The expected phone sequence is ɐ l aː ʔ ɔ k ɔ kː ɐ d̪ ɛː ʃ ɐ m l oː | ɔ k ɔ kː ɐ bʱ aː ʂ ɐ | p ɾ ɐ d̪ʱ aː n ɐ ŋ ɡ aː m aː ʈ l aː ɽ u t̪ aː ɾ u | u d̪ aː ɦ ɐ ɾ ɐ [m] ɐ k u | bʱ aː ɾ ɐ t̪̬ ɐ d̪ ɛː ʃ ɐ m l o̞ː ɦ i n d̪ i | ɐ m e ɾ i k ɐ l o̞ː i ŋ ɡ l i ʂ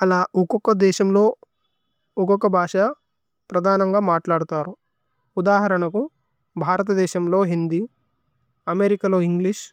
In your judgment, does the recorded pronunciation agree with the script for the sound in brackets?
no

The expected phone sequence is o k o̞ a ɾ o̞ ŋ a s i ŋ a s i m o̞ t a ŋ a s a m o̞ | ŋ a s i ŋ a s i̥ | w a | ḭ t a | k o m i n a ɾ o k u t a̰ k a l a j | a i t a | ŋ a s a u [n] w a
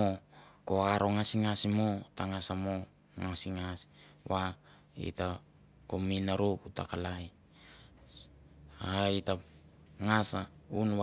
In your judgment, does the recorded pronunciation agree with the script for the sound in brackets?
yes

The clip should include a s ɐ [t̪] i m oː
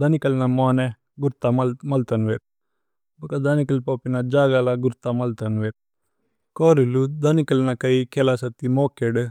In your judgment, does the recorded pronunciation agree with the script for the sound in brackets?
yes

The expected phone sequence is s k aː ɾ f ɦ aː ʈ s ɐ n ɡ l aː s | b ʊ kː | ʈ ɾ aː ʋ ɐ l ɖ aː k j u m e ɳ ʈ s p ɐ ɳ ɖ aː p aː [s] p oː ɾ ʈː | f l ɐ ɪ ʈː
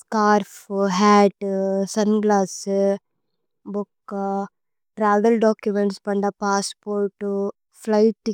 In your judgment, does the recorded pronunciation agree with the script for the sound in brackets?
yes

